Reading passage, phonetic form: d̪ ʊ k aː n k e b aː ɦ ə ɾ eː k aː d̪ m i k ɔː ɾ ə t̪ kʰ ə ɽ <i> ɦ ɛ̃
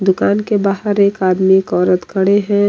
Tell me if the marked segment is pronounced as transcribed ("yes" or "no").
no